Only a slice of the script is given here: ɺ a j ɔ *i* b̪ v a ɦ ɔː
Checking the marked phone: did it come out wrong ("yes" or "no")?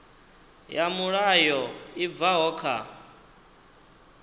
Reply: no